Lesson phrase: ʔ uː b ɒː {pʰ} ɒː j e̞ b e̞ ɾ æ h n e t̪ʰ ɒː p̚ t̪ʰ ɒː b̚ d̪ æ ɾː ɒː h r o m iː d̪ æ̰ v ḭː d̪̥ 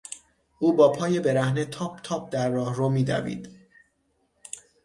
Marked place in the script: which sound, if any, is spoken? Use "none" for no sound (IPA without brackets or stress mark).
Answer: pʰ